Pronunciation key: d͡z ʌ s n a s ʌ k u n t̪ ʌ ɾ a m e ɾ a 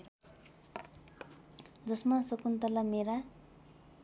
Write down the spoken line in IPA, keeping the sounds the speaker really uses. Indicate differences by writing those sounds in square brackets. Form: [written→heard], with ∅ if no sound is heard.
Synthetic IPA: d͡z ʌ s [n→m] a s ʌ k u n t̪ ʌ [ɾ→l] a m e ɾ a